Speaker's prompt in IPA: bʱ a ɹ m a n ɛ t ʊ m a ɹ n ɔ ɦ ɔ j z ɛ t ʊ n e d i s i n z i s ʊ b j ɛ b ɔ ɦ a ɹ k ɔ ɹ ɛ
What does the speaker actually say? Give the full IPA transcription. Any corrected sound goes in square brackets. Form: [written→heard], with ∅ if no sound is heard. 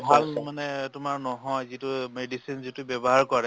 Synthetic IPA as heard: bʱ a [ɹ→l] m a n ɛ t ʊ m a ɹ n ɔ ɦ ɔ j z [ɛ→i] t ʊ [n→m] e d i s i n z i [s→t] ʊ b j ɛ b ɔ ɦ a ɹ k ɔ ɹ ɛ

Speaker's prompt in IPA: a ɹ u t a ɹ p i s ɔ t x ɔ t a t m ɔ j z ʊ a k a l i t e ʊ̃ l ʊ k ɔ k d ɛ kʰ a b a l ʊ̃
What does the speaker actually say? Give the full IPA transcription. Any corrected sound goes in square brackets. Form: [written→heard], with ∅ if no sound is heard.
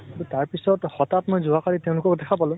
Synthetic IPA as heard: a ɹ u t a ɹ p i s ɔ t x ɔ t a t m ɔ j z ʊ a k a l i t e ʊ̃ l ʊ k ɔ k d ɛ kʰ a [b→p] a l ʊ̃

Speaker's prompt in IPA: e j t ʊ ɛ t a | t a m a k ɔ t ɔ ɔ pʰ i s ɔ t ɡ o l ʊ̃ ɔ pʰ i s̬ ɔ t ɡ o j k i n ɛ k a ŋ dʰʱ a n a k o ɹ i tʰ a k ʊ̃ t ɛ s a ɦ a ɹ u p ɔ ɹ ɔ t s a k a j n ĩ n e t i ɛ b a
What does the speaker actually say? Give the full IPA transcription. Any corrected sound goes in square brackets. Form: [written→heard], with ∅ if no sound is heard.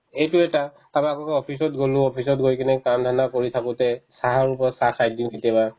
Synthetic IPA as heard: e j t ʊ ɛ t a | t a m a k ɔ [t→k] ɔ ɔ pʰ i s ɔ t ɡ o l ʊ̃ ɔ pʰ i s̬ ɔ t ɡ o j k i n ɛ k a [ŋ→m] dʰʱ a n a k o ɹ i tʰ a k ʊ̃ t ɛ s a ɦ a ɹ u p ɔ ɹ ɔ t s a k a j [n→d] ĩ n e t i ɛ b a

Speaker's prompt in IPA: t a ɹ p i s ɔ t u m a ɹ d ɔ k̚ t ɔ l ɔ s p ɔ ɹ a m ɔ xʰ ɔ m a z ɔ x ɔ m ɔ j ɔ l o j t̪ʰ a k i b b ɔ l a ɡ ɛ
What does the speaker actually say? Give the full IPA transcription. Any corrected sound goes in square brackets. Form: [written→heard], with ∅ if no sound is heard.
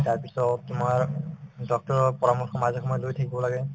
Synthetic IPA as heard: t a ɹ p i s ɔ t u m a ɹ d ɔ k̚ t ɔ [l→ɹ] ɔ [s→∅] p ɔ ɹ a m ɔ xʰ ɔ m a z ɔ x ɔ m ɔ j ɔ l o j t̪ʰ a k i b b ɔ l a ɡ ɛ

